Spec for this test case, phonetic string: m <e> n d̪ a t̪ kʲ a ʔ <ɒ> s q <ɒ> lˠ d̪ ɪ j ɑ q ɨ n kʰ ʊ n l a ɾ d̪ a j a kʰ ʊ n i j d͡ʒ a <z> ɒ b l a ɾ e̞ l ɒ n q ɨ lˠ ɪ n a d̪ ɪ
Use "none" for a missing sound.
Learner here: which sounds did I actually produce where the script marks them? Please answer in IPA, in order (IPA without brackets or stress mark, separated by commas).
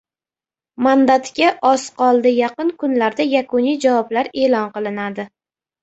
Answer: a, ɒ, ɒ, v